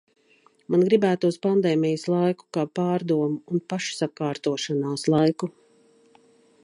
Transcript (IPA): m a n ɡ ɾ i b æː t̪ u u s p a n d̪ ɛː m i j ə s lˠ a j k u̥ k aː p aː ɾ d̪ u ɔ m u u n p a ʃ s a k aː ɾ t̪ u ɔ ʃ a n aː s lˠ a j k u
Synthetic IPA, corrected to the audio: m a n ɡ ɾ i b æː t̪ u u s p a n d̪ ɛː m i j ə s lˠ a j k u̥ k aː p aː ɾ d̪ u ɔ m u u n p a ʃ s a k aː ɾ t̪ u ɔ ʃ a n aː s lˠ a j k u